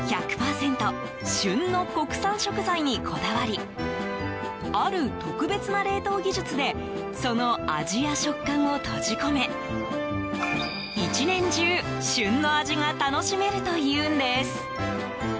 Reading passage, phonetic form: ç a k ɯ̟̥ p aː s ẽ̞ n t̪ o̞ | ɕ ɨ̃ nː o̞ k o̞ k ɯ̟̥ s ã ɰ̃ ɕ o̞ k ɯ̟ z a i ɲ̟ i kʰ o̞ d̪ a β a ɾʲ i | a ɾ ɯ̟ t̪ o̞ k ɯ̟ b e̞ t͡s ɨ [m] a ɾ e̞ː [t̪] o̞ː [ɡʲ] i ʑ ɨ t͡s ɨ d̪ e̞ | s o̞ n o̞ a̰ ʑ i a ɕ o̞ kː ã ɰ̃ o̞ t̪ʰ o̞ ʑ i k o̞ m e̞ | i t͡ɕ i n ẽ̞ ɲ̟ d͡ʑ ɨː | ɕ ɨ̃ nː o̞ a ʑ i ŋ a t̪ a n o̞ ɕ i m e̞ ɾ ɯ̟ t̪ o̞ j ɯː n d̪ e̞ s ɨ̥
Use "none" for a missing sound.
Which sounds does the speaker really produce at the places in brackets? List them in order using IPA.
n, t̪, ɡʲ

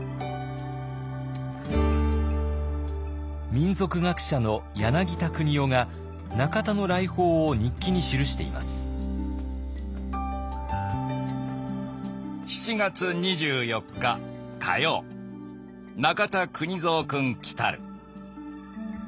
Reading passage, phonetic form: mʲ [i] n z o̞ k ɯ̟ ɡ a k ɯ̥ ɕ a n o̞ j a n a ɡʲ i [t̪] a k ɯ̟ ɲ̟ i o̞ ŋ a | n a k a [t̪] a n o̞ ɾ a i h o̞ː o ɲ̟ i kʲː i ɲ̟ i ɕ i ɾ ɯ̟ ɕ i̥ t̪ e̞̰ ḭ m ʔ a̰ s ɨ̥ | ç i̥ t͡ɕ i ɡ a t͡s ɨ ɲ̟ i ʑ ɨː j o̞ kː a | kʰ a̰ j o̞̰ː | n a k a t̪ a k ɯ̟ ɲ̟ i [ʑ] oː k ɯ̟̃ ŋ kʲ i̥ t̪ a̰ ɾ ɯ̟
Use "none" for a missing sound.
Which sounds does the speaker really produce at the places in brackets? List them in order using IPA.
ĩ, t̪, t̪, z

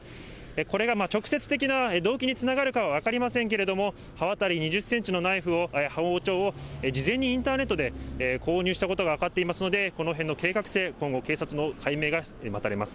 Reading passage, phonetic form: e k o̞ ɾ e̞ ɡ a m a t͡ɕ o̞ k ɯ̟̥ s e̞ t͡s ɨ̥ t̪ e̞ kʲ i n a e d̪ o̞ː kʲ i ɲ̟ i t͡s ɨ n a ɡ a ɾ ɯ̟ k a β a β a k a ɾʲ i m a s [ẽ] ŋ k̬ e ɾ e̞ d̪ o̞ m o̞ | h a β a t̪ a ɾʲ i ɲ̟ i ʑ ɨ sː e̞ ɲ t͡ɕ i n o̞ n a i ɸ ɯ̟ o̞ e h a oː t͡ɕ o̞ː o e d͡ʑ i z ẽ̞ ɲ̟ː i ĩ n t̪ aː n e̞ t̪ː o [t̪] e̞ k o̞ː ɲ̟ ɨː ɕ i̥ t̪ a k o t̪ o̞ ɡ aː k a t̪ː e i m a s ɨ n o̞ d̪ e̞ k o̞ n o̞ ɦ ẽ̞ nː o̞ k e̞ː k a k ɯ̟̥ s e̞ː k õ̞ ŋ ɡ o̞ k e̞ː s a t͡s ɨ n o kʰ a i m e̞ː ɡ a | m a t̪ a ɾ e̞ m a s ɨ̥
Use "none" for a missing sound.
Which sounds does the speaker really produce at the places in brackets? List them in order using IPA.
ẽ, d̪

